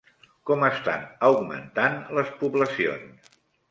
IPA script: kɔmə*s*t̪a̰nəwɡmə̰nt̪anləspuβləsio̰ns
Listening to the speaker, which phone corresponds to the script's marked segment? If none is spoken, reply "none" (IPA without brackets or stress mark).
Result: s